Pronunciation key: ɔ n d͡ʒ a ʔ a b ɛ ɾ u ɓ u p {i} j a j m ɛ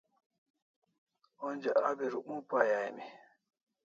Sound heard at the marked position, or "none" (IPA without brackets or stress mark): a